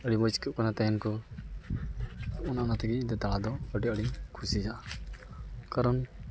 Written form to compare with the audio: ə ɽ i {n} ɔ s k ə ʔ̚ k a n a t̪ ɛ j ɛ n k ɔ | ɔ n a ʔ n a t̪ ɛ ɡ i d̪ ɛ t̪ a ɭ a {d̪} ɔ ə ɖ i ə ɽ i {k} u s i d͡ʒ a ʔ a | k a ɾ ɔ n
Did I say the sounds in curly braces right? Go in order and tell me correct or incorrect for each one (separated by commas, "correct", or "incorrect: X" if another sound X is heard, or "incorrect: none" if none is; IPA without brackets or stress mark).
incorrect: m, correct, incorrect: kʰ